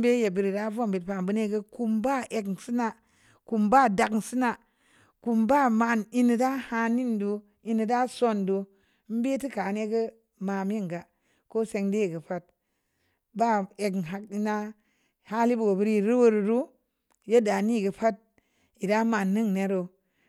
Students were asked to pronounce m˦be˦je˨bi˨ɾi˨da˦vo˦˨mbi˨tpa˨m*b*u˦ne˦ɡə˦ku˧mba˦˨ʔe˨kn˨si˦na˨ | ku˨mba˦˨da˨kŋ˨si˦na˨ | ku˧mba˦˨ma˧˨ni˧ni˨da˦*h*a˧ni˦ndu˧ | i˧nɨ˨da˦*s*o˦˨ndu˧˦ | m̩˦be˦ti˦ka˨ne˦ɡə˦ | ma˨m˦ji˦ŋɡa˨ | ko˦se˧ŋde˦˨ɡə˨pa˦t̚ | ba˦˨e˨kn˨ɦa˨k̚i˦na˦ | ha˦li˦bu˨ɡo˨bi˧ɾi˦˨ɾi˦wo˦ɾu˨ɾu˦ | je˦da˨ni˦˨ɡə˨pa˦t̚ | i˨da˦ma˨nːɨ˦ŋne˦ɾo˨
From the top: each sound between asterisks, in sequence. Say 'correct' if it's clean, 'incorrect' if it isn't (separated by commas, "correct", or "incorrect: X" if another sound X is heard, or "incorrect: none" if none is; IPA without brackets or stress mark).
correct, correct, correct